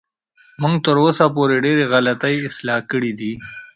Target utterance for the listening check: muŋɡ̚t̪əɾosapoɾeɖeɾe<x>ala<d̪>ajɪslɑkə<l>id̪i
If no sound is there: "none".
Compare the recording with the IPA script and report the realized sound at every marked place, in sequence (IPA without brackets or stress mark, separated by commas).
ɣ, t̪, ɽ